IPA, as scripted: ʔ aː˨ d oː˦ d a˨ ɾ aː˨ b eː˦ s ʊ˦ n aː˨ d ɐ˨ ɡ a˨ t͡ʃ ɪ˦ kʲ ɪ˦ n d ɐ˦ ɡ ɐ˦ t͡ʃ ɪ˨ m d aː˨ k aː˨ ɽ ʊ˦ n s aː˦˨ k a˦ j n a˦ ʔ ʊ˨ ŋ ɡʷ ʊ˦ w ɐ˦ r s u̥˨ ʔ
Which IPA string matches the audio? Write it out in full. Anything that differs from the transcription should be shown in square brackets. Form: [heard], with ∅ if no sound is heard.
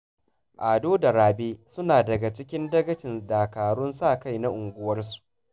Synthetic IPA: ʔ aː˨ d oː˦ d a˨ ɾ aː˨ b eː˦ s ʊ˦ n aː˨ d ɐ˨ ɡ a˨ t͡ʃ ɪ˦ kʲ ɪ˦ n d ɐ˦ ɡ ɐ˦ t͡ʃ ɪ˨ [n] d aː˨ k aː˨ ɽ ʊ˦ n s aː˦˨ k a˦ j n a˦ ʔ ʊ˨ ŋ ɡʷ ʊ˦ w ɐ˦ r s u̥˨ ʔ